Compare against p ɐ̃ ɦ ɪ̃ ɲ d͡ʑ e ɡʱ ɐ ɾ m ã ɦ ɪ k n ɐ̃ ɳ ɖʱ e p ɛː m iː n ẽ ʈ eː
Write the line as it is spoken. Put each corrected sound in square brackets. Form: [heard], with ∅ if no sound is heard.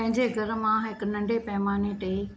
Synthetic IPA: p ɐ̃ ɦ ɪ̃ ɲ d͡ʑ e ɡʱ ɐ ɾ m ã ɦ ɪ k n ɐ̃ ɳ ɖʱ e p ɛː m [aː] n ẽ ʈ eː